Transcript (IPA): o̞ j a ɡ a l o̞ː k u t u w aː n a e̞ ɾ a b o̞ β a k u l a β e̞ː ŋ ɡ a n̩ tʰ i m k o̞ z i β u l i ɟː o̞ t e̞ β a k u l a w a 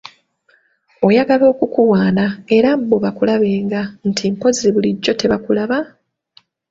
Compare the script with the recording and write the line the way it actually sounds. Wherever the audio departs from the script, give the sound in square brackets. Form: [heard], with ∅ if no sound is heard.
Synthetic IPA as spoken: o̞ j a ɡ a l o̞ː k u [k] u w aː n a e̞ ɾ a b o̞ β a k u l a β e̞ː ŋ ɡ a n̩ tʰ i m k o̞ z i β u l i ɟː o̞ t e̞ β a k u l a [β] a